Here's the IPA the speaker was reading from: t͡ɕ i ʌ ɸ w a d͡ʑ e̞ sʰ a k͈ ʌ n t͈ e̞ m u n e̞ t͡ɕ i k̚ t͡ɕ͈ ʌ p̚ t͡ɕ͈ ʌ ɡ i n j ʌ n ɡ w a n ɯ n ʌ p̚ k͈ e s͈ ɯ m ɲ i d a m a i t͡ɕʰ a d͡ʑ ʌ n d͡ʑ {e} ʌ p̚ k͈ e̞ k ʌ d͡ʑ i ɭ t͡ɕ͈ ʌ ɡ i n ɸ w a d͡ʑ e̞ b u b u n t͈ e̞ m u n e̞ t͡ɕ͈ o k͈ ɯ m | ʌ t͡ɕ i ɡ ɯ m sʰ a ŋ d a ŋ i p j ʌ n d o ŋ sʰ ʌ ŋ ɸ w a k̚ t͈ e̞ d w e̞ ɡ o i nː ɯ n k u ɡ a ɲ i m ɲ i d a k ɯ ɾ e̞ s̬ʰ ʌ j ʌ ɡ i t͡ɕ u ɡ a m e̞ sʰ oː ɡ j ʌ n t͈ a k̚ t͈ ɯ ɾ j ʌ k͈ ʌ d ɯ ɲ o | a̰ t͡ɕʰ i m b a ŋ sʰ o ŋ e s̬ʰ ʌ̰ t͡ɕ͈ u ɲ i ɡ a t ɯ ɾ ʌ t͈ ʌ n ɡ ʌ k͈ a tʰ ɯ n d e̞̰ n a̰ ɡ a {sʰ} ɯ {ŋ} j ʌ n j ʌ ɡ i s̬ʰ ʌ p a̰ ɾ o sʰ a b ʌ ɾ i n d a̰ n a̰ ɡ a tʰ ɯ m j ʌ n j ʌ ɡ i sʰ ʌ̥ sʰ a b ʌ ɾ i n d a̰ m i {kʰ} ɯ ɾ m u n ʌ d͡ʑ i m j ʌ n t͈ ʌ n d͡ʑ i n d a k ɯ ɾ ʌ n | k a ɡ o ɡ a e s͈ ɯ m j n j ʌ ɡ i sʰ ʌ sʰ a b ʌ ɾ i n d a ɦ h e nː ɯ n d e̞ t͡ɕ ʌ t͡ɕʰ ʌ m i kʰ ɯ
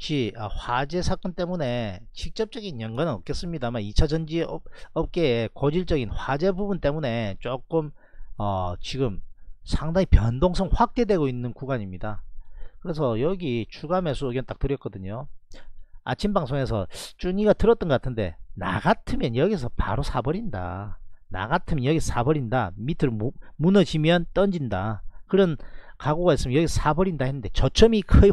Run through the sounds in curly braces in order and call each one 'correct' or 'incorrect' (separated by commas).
incorrect, incorrect, incorrect, incorrect